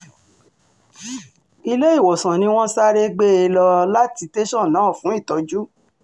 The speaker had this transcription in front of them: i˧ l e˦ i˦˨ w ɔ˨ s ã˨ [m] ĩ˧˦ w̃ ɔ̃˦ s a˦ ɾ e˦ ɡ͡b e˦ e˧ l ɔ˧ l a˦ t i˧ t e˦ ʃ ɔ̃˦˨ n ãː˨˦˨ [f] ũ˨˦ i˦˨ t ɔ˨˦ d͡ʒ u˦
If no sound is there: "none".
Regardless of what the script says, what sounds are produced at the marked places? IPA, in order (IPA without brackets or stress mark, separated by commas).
n, f